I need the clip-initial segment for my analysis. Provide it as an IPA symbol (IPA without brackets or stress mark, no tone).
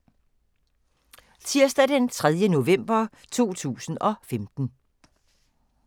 t͡sʰ